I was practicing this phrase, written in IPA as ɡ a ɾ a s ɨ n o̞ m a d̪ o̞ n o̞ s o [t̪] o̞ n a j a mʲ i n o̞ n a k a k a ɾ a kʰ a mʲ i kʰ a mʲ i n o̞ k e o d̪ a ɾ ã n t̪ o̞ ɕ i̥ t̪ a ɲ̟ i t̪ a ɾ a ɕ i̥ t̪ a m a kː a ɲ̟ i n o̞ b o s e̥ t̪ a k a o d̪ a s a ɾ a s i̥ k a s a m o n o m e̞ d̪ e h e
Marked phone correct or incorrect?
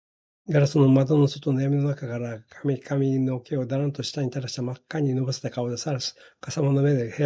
correct